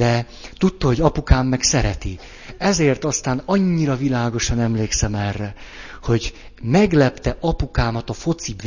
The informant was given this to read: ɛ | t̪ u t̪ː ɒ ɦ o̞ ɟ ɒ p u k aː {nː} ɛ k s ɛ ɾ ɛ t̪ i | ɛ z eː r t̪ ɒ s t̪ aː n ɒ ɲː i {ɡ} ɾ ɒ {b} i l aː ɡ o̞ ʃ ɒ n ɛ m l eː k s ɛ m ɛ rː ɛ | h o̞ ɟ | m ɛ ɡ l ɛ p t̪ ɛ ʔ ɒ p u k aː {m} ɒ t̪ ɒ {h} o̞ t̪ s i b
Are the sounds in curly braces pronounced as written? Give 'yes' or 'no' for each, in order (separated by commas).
no, no, no, yes, no